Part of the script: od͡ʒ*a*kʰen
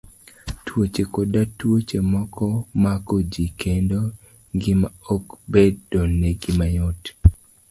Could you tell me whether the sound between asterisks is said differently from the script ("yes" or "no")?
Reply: yes